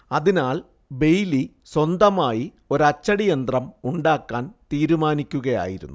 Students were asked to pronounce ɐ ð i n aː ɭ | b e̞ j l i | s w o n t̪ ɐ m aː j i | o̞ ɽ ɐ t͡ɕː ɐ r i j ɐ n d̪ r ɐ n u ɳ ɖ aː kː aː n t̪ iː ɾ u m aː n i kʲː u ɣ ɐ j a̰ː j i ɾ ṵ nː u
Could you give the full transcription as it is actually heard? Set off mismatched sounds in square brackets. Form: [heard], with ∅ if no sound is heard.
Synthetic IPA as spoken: ɐ ð i n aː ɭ | b e̞ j l i | s w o n [d̪] ɐ m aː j i | o̞ [ɾ] ɐ t͡ɕː ɐ [ɽ] i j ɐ n d̪ r ɐ [m] u ɳ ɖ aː kː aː n t̪ iː ɾ u m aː n i kʲː u ɣ ɐ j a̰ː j i ɾ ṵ nː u